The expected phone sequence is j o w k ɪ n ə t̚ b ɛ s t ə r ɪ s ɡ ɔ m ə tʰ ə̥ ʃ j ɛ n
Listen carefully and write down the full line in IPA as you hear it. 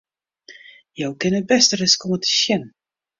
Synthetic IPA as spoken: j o w k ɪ n ə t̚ b ɛ s t ə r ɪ s k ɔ m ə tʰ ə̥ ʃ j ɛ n